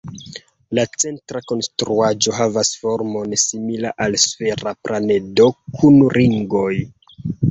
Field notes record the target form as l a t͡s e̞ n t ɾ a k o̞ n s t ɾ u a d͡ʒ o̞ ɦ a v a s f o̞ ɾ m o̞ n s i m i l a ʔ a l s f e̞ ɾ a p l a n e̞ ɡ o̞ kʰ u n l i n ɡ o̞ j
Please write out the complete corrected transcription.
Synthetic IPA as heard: l a t͡s e̞ n t ɾ a k o̞ n s t ɾ u a d͡ʒ o̞ ɦ a v a s f o̞ ɾ m o̞ n s i m i l a ʔ a l s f e̞ ɾ a p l a n e̞ d o̞ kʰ u n ɾ i ŋ ɡ o̞ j

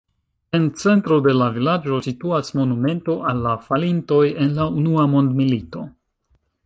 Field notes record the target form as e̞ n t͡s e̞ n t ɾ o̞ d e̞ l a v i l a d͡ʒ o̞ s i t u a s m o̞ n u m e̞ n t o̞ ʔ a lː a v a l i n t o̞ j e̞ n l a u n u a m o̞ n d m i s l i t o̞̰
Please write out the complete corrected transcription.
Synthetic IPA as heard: e̞ n t͡s e̞ n t ɾ o̞ d e̞ l a v i l a d͡ʒ o̞ s i t u a s m o̞ n u m e̞ n t o̞ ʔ a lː a f a l i n t o̞ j e̞ n l a u n u a m o̞ n d m i l i t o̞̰

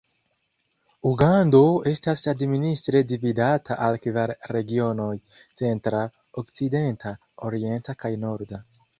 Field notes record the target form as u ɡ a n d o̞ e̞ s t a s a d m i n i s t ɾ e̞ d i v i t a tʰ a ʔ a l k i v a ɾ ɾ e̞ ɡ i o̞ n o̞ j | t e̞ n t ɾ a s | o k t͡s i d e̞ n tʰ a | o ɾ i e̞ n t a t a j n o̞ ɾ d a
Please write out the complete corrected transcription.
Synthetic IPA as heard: u ɡ a n d o̞ e̞ s t a s a d m i n i s t ɾ e̞ d i v i d a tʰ a ʔ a l k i v a ɾ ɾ e̞ ɡ i o̞ n o̞ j | t͡s e̞ n t ɾ a | o k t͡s i d e̞ n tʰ a | o ɾ i e̞ n t a k a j n o̞ ɾ d a

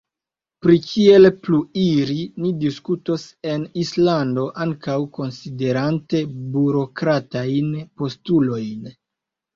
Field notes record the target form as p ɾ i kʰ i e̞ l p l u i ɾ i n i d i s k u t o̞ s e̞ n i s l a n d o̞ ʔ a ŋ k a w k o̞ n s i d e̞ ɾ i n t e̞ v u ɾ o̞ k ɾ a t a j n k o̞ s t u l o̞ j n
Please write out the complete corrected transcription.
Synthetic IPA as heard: p ɾ i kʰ i e̞ l p l u i ɾ i n i d i s k u t o̞ s e̞ n i s l a n d o̞ ʔ a ŋ k a w k o̞ n s i d e̞ ɾ a n t e̞ b u ɾ o̞ k ɾ a t a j n p o̞ s t u l o̞ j n

